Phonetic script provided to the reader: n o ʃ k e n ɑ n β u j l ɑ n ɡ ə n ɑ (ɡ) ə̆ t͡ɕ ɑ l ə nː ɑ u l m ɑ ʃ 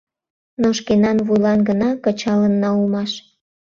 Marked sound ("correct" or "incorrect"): incorrect